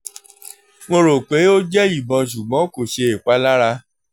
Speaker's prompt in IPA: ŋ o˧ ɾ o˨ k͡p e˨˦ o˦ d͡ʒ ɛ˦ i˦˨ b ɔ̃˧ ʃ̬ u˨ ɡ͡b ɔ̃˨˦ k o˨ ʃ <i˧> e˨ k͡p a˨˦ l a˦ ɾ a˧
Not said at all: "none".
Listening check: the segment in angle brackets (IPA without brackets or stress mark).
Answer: e˧